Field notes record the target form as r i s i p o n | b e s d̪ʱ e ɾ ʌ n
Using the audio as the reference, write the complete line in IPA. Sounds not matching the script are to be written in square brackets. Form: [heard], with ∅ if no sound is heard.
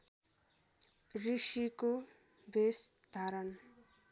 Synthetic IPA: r i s i [k] o [∅] | b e s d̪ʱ [a] ɾ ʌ n